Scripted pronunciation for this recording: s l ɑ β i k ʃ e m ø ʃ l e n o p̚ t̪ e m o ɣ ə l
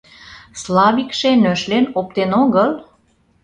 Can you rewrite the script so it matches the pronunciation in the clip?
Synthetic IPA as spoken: s l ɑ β i k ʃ e n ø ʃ l e n o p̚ t̪ e n o ɣ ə l